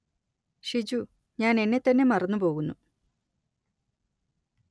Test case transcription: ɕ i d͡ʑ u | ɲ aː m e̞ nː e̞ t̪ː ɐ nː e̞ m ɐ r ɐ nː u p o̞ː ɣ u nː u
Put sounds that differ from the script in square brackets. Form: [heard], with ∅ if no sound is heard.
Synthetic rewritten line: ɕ i d͡ʑ u | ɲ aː [n] e̞ nː e̞ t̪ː ɐ nː e̞ m ɐ r ɐ nː u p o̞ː ɣ u nː u

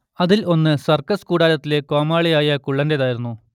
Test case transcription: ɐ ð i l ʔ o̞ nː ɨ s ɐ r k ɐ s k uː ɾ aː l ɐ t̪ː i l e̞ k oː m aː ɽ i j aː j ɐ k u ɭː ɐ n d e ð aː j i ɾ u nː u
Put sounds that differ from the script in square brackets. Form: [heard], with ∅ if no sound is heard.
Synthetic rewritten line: ɐ ð i l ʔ o̞ nː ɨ s ɐ r k ɐ s k uː [ɽ] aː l ɐ t̪ː i l e̞ k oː m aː [ɭ] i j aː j ɐ k u ɭː ɐ n d e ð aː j i ɾ u nː u

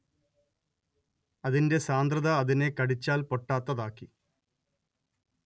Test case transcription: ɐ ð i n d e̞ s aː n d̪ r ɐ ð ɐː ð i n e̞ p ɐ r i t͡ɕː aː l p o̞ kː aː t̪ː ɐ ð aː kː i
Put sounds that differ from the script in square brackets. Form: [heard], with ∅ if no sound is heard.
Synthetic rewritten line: ɐ ð i n d e̞ s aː n d̪ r ɐ ð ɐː ð i n e̞ [k] ɐ [ɽ] i t͡ɕː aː l p o̞ [ʈː] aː t̪ː ɐ ð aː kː i

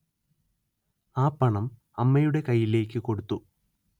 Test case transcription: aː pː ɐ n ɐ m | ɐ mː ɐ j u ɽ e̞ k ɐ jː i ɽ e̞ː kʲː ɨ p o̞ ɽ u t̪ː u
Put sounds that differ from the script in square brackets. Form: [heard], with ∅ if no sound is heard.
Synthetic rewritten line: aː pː ɐ [ɳ] ɐ m | ɐ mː ɐ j u ɽ e̞ k ɐ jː i [l] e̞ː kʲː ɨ [k] o̞ ɽ u t̪ː u

